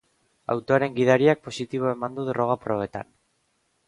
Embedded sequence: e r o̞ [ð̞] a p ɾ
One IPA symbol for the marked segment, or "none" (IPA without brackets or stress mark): ɣ̞